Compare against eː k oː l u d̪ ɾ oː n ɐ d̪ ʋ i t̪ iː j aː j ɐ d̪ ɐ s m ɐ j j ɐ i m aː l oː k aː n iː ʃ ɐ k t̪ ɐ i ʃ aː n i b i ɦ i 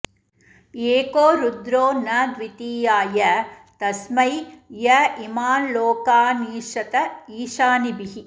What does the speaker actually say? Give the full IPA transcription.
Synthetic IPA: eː k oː ɾ u d̪ ɾ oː n ɐ d̪ ʋ i t̪ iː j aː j ɐ t̪ ɐ s m ɐ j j ɐ i m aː l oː k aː n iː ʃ ɐ t̪ ɐ iː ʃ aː n i b i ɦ i